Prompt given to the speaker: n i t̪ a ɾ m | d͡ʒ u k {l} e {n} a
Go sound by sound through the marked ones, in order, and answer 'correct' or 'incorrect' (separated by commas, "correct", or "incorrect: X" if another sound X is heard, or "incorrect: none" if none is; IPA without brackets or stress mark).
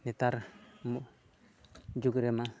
incorrect: ɾ, incorrect: m